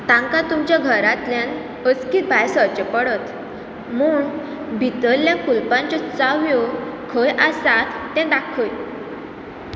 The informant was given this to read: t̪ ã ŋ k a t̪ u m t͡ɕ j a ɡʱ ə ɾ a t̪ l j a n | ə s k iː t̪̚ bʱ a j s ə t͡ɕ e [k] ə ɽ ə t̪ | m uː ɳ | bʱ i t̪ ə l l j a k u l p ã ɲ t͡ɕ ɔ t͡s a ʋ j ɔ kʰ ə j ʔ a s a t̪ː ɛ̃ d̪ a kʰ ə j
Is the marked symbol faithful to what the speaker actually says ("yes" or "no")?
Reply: no